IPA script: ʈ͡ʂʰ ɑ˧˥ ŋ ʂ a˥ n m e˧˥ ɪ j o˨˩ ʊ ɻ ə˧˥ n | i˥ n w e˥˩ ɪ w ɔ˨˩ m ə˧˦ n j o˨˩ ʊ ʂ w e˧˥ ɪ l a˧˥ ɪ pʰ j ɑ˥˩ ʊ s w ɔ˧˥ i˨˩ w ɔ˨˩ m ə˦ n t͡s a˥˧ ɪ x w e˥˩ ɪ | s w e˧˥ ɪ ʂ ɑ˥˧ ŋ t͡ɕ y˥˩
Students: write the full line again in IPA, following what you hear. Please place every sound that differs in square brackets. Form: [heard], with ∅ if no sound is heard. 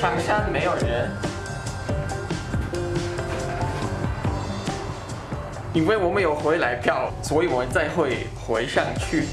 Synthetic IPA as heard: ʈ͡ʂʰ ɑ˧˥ ŋ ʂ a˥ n m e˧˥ ɪ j o˨˩ ʊ ɻ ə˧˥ n | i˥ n w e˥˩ ɪ w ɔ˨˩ m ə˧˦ n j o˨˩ ʊ [x] w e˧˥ ɪ l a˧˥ ɪ pʰ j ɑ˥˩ ʊ s w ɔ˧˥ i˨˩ w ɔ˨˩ m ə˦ n t͡s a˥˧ ɪ x w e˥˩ ɪ | [x] w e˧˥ ɪ ʂ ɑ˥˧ ŋ [t͡ɕʰ] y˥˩

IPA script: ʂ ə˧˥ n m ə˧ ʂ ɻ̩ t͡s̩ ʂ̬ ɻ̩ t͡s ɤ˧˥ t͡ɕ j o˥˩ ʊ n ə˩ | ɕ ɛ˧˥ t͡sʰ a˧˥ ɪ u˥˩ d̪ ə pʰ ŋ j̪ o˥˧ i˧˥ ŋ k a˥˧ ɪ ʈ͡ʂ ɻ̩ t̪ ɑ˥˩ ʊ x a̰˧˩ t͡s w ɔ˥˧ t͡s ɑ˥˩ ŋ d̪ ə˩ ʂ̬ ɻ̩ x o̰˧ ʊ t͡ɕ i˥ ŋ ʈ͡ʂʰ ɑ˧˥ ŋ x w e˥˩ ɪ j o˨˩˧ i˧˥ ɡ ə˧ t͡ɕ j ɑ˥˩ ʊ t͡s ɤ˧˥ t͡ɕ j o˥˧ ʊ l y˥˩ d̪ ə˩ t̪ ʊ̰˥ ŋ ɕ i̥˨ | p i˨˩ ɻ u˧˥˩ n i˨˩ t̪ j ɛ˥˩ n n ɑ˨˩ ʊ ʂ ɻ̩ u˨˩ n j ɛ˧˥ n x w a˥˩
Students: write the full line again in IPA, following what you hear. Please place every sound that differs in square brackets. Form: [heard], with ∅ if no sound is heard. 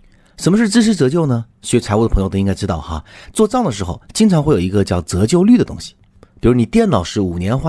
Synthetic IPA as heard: ʂ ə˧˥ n m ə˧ ʂ ɻ̩ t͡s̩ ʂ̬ ɻ̩ t͡s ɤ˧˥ t͡ɕ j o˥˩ ʊ n ə˩ | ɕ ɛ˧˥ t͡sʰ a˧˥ ɪ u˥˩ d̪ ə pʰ ŋ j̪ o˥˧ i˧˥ ŋ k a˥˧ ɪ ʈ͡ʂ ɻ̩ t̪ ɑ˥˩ ʊ x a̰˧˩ t͡s w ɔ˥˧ t͡s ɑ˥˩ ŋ d̪ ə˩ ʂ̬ ɻ̩ x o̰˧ ʊ t͡ɕ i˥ ŋ ʈ͡ʂʰ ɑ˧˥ ŋ x w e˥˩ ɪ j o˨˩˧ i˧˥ ɡ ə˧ t͡ɕ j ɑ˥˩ ʊ t͡s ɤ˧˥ t͡ɕ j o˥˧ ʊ l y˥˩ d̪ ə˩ t̪ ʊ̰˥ ŋ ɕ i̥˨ | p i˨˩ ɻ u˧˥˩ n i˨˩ t̪ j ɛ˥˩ n n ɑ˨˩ ʊ ʂ ɻ̩ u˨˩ n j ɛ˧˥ n x w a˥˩

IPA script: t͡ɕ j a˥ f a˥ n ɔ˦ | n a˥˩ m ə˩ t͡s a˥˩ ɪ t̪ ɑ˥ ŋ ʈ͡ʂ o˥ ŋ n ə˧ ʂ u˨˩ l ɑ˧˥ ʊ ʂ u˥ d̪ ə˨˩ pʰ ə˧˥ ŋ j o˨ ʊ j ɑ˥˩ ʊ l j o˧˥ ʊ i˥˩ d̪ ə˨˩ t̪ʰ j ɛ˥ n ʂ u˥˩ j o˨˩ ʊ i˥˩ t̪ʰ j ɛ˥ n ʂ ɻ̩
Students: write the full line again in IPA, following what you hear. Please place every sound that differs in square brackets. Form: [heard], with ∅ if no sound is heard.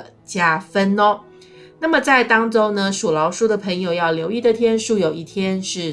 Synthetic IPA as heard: t͡ɕ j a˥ f [ə˥] n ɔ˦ | n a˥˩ m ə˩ t͡s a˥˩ ɪ t̪ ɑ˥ ŋ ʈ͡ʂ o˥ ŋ n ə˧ ʂ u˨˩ l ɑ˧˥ ʊ ʂ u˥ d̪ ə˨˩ pʰ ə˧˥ ŋ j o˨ ʊ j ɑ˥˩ ʊ l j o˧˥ ʊ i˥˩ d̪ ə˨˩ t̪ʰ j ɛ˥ n ʂ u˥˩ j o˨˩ ʊ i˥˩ t̪ʰ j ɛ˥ n ʂ ɻ̩

